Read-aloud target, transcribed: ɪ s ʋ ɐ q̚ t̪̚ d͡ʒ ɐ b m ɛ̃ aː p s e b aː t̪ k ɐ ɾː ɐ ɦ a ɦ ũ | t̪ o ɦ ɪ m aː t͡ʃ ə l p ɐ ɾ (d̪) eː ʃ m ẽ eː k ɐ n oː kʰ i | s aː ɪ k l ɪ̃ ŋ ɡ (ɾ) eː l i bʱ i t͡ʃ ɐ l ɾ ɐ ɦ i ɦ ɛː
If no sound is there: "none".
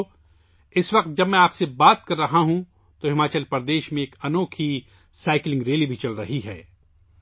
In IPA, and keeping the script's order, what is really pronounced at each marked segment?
d̪, ɾ

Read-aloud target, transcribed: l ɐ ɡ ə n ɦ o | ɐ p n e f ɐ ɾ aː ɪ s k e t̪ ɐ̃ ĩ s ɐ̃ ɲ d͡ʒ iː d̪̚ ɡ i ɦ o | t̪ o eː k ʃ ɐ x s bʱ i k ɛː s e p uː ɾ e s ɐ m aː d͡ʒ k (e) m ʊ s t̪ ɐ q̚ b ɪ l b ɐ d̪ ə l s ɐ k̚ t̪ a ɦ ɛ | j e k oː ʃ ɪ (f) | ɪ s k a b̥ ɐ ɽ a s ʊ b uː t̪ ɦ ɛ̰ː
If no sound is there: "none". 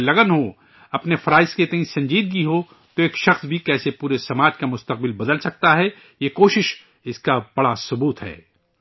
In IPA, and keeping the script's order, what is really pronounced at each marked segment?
a, ʃ

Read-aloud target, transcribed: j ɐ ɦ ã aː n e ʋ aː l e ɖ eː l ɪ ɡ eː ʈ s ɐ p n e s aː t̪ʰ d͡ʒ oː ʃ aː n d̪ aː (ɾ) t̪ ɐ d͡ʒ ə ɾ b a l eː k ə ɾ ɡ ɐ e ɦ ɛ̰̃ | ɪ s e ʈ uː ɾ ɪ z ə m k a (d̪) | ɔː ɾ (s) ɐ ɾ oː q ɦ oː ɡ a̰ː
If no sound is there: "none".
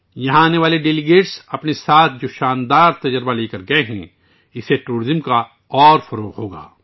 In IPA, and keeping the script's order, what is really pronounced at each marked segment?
ɾ, none, f

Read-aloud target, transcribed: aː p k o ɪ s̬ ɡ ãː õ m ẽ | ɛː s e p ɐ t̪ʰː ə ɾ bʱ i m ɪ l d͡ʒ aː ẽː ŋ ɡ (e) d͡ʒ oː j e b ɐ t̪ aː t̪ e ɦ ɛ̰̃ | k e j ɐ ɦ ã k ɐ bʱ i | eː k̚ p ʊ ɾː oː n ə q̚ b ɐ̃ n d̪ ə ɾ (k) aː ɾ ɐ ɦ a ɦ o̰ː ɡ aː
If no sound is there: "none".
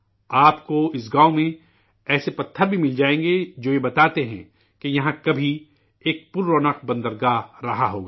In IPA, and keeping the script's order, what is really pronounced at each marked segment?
e, ɡ

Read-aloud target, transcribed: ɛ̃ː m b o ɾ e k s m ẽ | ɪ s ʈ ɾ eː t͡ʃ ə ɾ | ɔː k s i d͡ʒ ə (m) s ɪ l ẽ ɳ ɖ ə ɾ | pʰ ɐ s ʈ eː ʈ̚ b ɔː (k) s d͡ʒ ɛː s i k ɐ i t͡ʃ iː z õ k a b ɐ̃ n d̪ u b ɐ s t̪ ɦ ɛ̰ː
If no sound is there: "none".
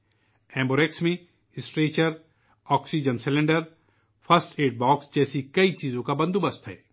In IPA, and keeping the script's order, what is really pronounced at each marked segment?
n, k

